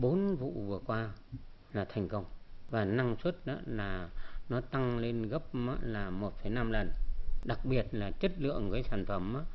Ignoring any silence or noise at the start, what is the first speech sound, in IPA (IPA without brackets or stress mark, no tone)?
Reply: ɓ